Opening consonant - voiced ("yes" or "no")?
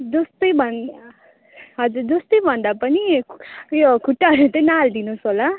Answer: yes